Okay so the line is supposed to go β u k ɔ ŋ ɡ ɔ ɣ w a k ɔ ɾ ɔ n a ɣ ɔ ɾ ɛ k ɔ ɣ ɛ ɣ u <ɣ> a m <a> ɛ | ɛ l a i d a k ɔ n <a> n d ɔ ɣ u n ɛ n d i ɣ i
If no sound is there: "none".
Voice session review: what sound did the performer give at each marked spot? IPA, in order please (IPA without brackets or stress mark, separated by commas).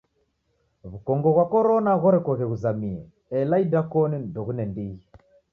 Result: z, i, i